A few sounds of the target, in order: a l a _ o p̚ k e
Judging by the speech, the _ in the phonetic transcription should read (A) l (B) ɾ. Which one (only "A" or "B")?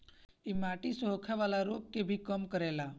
B